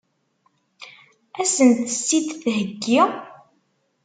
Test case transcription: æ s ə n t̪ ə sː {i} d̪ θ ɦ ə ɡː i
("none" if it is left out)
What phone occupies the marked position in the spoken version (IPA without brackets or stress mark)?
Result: i